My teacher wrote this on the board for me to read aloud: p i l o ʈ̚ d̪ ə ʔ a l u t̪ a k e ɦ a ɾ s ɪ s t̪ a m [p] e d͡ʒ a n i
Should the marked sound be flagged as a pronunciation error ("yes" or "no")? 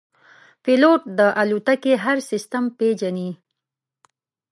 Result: no